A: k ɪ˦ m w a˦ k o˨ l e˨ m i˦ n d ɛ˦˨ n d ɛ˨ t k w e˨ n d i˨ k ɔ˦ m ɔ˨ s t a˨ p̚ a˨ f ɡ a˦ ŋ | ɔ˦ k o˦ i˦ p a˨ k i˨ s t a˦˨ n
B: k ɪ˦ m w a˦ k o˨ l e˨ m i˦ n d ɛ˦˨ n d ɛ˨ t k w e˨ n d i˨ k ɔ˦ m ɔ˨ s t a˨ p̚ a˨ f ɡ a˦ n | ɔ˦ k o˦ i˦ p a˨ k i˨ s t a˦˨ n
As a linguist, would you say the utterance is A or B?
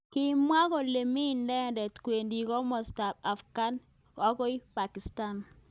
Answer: B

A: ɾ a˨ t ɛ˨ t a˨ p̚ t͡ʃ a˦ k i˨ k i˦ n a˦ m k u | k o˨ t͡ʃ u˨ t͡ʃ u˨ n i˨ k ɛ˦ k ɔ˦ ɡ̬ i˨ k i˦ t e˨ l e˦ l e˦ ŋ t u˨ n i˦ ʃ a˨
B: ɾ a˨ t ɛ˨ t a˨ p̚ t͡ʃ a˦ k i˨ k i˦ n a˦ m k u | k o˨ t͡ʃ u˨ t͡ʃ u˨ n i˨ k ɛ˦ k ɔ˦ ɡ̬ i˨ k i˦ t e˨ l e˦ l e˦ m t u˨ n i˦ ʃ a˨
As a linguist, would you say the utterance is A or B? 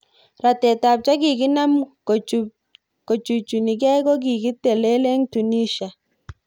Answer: A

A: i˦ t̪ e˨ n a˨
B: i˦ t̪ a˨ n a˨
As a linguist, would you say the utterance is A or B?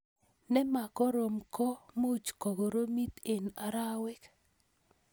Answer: A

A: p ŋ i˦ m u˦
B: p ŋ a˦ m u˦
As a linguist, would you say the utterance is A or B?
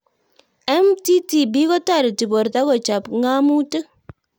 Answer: B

